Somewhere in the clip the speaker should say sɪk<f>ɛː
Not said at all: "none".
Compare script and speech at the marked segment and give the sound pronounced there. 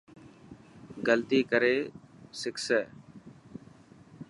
s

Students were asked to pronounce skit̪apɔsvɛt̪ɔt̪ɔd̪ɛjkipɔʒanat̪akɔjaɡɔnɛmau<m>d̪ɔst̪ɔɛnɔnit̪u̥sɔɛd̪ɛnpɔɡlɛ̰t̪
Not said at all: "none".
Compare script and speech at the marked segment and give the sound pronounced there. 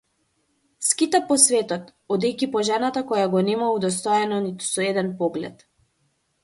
none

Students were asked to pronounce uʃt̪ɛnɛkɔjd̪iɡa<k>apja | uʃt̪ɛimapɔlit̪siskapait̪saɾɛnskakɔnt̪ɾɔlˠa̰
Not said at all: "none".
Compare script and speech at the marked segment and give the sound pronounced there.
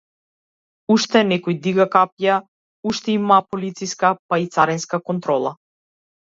k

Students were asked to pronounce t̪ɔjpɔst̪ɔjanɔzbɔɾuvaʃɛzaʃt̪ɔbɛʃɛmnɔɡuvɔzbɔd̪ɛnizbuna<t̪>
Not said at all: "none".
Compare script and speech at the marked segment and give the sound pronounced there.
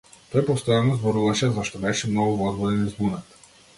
t̪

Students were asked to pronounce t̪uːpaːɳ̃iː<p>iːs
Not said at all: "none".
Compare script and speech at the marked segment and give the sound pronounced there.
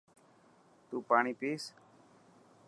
p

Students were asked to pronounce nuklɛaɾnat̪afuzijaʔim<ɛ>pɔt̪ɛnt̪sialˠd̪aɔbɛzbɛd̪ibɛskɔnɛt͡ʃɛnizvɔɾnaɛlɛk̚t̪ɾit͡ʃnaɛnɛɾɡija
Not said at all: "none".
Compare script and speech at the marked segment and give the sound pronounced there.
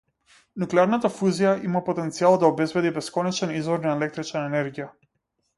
a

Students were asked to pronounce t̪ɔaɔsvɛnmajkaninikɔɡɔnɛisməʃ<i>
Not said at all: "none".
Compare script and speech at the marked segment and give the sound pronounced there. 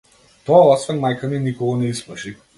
i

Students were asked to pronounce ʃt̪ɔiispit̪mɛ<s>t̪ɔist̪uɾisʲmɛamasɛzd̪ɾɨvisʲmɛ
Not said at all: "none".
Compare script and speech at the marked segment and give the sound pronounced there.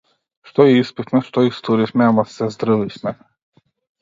ʃ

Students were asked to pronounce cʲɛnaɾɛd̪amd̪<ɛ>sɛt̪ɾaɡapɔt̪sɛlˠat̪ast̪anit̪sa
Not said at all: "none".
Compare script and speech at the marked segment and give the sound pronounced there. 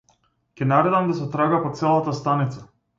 a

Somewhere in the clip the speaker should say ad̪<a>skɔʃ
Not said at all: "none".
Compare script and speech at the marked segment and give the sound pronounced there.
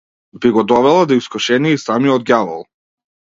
i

